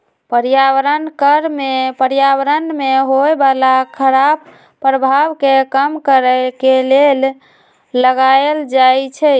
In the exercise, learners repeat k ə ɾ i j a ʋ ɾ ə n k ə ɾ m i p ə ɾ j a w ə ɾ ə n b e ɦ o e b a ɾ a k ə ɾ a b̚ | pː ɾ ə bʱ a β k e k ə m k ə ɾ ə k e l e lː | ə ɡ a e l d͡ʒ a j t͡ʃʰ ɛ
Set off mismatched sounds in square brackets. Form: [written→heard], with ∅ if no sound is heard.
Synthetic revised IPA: [k→p] ə ɾ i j a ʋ ɾ ə n k ə ɾ m [i→e] p ə ɾ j a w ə ɾ ə n [b→m] e ɦ o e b a [ɾ→l] a [k→kʰ] ə ɾ a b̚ | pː ɾ ə bʱ a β k e k ə m k ə ɾ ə k e l e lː | ə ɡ a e l d͡ʒ a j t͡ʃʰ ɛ